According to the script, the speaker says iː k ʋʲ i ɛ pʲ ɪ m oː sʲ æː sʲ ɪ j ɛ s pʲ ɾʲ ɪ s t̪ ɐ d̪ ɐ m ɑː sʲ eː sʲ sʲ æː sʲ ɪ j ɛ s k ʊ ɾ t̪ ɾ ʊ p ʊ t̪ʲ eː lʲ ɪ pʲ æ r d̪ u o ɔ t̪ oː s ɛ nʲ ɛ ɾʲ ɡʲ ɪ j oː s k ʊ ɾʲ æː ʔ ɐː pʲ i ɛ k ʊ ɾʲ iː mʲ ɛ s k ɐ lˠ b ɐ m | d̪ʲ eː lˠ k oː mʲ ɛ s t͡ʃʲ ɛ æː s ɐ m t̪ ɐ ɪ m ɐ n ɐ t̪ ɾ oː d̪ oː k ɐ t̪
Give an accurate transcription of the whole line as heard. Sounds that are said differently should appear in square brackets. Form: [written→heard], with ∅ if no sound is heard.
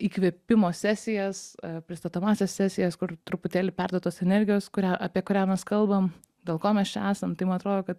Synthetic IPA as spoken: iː k ʋʲ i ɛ pʲ ɪ m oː sʲ æː sʲ ɪ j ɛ s pʲ ɾʲ ɪ s t̪ ɐ [d̪→t̪] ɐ m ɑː sʲ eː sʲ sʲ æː sʲ ɪ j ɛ s k ʊ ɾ t̪ ɾ ʊ p ʊ t̪ʲ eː lʲ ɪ pʲ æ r d̪ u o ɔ t̪ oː s ɛ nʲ ɛ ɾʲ ɡʲ ɪ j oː s k ʊ ɾʲ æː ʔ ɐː pʲ i ɛ k ʊ ɾʲ [iː→æː] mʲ ɛ s k ɐ lˠ b ɐ m | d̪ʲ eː lˠ k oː mʲ ɛ s t͡ʃʲ ɛ æː s ɐ m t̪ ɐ ɪ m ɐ n ɐ t̪ ɾ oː d̪ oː k ɐ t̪